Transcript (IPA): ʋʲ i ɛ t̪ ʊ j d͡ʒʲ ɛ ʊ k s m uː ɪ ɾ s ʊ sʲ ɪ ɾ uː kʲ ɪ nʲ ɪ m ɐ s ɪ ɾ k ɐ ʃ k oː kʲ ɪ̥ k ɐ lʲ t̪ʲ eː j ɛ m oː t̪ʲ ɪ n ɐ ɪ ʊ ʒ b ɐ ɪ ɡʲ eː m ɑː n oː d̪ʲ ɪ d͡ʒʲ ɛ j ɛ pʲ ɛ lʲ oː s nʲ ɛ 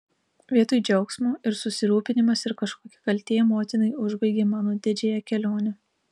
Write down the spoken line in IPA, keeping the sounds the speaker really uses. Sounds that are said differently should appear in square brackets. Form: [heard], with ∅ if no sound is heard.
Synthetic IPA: ʋʲ i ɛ t̪ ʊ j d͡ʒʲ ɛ ʊ k s m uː ɪ ɾ s ʊ sʲ ɪ ɾ uː [pʲ] ɪ nʲ ɪ m ɐ s ɪ ɾ k ɐ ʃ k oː kʲ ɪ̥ k ɐ lʲ t̪ʲ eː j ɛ m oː t̪ʲ ɪ n ɐ ɪ ʊ ʒ b ɐ ɪ ɡʲ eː m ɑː n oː d̪ʲ ɪ d͡ʒʲ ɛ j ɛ [kʲ] ɛ lʲ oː [∅] nʲ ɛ